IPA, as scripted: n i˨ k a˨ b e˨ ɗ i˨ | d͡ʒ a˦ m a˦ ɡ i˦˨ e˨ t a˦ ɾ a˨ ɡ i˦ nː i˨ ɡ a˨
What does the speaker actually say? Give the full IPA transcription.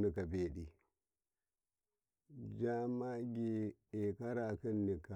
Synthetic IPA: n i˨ k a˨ b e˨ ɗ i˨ | d͡ʒ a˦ m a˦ ɡ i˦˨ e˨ k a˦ ɾ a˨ k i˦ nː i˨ k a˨